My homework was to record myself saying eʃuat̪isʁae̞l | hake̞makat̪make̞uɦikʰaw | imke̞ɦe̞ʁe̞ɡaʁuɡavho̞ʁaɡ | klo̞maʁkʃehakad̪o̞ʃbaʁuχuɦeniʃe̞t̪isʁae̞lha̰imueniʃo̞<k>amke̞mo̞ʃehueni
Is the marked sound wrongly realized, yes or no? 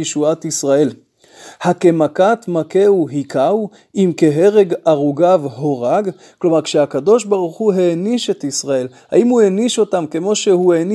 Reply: yes